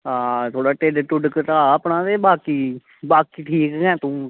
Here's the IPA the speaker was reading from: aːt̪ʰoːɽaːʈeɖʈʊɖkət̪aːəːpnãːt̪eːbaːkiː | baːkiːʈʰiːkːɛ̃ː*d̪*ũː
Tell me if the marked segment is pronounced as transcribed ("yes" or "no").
no